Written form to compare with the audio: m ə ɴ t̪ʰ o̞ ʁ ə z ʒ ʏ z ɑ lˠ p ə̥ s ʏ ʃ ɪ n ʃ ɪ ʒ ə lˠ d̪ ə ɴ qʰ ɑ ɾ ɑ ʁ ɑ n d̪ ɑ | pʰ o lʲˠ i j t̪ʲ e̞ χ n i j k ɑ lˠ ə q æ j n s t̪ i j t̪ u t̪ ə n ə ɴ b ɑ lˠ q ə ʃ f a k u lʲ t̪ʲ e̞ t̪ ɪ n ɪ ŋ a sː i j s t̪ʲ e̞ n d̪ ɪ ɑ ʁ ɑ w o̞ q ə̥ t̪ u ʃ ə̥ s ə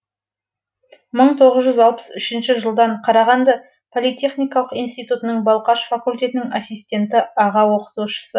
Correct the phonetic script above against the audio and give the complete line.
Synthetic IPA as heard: m ə ɴ t̪ʰ o̞ ʁ ə z ʒ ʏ z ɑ lˠ p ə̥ s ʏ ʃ ɪ n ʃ ɪ ʒ ə lˠ d̪ ɑ ɴ qʰ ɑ ɾ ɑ ʁ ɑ n d̪ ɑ | pʰ o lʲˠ i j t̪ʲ e̞ χ n i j k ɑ lˠ ə q i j n s t̪ i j t̪ u t̪ ə n ə ɴ b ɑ lˠ q ɑ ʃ f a k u lʲ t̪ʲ e̞ t̪ ɪ n ɪ ŋ a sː i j s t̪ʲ e̞ n t̪ ɪ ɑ ʁ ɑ w o̞ q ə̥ t̪ u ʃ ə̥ s ə

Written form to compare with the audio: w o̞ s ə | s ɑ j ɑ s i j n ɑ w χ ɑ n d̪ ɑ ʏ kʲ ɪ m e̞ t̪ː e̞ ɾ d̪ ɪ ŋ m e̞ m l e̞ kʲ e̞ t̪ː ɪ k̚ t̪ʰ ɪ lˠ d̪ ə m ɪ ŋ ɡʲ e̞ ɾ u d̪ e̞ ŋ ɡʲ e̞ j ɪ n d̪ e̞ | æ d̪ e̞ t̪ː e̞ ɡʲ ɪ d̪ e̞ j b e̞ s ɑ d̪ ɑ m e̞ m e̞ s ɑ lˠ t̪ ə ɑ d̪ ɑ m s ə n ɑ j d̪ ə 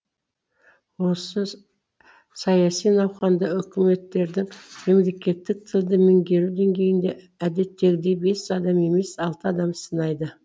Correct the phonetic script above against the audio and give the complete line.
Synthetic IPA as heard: w o̞ s ə | s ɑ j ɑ s i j n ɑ w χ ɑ n d̪ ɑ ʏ kʲ ɪ m e̞ t̪ː e̞ ɾ d̪ ɪ ŋ m e̞ m l e̞ kʲ e̞ t̪ː ɪ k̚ t̪ʰ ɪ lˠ d̪ ə m ɪ ŋ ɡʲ e̞ ɾ u d̪ e̞ ŋ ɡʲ e̞ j ɪ n d̪ e̞ | æ d̪ e̞ t̪ː e̞ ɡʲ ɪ d̪ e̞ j b e̞ s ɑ d̪ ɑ m e̞ m e̞ s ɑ lˠ t̪ ə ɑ d̪ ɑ m s ə n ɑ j d̪ ə

